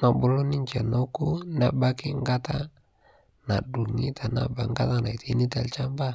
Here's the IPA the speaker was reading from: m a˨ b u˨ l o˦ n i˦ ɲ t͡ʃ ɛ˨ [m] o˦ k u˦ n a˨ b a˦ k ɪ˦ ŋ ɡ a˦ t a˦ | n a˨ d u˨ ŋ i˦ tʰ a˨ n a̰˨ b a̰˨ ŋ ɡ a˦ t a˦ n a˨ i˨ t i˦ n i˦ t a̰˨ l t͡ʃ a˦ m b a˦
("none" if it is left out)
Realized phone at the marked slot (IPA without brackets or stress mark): n